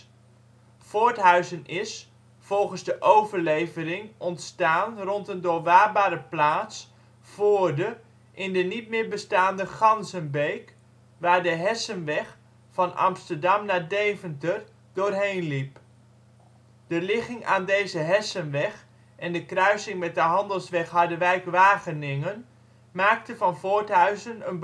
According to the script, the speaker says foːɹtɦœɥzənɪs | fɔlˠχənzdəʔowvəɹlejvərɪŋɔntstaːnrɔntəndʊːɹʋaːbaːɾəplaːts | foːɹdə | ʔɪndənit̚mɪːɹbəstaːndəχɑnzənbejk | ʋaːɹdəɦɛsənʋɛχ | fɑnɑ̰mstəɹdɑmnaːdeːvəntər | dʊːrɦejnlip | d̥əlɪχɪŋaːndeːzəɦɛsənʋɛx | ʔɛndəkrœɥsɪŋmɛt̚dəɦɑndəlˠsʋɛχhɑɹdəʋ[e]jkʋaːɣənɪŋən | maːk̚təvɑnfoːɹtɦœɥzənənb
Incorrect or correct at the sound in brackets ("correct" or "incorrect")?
incorrect